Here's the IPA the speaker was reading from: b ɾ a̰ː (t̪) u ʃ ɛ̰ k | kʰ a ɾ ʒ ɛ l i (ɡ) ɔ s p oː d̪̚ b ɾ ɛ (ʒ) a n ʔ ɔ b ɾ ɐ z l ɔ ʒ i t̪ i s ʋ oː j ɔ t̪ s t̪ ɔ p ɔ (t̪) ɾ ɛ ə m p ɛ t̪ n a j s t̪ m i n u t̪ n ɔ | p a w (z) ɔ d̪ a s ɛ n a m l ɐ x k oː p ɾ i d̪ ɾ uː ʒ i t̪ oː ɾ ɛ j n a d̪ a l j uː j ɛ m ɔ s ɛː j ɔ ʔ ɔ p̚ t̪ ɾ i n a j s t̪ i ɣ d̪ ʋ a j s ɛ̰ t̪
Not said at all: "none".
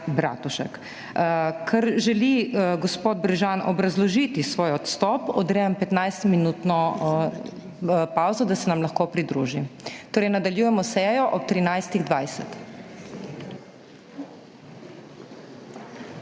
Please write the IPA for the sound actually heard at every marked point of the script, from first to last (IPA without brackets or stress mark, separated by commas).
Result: t̪, ɡ, ʒ, d̪, z